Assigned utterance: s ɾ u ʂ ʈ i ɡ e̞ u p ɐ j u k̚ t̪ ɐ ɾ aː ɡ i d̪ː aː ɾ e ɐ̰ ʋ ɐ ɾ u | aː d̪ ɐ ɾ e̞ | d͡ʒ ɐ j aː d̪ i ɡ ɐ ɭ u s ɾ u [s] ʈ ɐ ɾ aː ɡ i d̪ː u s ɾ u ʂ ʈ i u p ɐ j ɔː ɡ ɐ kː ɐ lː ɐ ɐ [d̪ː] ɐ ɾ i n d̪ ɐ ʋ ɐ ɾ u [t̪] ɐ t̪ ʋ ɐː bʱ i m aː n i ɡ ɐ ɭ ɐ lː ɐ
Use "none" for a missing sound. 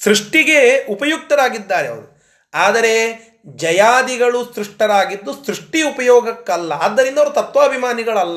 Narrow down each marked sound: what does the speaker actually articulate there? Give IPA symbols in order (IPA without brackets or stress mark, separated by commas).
ʂ, d̪ː, t̪